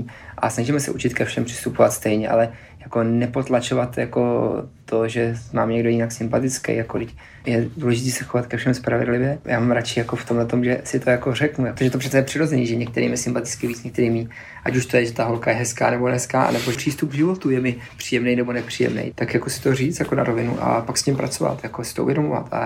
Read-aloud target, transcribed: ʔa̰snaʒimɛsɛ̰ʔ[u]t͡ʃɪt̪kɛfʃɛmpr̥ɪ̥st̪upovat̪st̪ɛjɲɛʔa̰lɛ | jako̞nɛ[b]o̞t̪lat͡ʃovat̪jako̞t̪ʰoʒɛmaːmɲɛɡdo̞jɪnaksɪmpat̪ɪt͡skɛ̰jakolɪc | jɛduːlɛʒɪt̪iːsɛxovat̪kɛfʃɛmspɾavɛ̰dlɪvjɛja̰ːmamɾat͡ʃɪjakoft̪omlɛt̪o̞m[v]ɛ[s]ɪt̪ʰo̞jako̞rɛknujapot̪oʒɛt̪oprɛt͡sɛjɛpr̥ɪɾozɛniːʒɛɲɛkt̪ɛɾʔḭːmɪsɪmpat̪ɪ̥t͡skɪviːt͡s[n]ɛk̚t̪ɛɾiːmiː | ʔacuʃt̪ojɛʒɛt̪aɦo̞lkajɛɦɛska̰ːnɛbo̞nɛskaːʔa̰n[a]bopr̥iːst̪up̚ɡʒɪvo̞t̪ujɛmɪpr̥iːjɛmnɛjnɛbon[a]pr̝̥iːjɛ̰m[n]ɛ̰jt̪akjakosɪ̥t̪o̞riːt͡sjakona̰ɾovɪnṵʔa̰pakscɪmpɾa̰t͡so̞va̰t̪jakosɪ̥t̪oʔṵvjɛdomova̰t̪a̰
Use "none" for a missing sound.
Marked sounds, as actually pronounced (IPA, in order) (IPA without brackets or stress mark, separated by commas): u, p, ʒ, s, ɲ, ɛ, ɛ, n